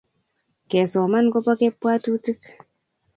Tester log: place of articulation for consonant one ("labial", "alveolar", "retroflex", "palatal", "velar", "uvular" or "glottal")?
velar